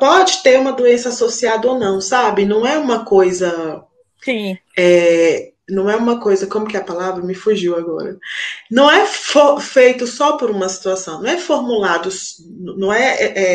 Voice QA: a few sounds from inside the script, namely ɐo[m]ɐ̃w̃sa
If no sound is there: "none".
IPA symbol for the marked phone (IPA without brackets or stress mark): n